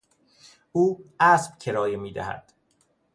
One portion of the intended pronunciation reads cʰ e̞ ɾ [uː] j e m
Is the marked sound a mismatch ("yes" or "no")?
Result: yes